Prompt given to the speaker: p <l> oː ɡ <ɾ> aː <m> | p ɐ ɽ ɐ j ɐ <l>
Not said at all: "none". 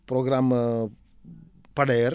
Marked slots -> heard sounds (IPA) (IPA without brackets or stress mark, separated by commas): ɾ, ɾ, m, ɾ